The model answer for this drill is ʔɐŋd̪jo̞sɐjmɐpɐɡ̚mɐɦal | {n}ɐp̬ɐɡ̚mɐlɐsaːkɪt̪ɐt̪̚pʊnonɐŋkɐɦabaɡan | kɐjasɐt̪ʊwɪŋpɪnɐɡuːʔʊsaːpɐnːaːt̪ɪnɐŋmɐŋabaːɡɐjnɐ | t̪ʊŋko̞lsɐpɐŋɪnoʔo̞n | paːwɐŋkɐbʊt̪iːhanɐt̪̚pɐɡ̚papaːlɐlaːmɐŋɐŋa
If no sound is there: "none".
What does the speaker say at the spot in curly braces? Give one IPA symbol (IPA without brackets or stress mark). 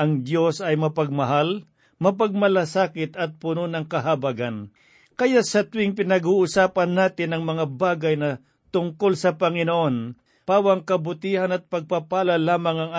m